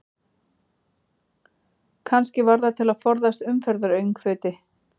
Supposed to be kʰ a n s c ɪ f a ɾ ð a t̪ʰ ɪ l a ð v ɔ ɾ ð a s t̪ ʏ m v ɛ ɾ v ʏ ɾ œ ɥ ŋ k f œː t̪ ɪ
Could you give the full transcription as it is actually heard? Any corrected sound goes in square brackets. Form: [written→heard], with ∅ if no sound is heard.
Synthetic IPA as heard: kʰ a n s c ɪ [f→v] a ɾ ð a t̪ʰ ɪ l a ð [v→f] ɔ ɾ ð a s t̪ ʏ m [v→f] ɛ ɾ [v→ð] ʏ ɾ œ ɥ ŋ k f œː t̪ ɪ